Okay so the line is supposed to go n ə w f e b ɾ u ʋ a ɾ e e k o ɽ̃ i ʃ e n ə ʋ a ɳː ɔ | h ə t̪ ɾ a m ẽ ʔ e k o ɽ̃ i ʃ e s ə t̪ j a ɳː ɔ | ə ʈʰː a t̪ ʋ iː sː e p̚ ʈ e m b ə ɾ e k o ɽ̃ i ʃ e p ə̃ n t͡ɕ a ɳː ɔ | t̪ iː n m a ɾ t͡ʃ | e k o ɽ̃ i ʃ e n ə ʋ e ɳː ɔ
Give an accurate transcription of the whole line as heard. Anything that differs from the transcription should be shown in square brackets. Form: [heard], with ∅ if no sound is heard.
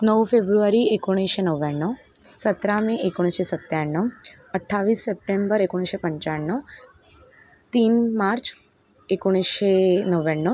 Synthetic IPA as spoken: n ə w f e b ɾ u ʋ a ɾ [i] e k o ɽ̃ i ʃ e n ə ʋ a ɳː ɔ | [s] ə t̪ ɾ a m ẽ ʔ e k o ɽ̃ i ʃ e s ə t̪ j a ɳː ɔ | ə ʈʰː a [∅] ʋ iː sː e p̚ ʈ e m b ə ɾ e k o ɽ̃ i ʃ e p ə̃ [ɲ] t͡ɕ a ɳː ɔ | t̪ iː n m a ɾ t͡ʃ | e k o ɽ̃ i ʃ e n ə ʋ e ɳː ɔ